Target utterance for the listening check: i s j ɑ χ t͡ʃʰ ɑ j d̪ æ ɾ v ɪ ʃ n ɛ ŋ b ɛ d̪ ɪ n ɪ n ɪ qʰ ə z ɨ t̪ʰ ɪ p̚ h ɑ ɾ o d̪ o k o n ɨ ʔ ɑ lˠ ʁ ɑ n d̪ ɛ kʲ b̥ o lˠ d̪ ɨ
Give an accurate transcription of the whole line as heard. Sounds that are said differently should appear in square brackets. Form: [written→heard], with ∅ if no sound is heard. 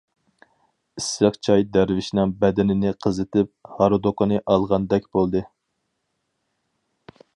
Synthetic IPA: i s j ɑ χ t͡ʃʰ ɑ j d̪ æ ɾ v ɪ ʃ n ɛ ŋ b ɛ d̪ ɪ n ɪ n ɪ qʰ ə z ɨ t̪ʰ ɪ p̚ h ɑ ɾ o d̪ o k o n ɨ ʔ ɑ lˠ ʁ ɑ n d̪ ɛ kʲ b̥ o lˠ d̪ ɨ